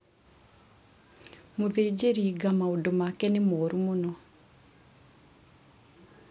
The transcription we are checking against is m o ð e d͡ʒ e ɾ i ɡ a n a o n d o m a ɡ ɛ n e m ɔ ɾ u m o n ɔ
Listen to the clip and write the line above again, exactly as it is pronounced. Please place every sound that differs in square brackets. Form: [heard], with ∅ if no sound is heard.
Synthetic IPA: m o ð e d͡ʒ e ɾ i ɡ a [m] a o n d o m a [k] ɛ n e m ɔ ɾ u m o n ɔ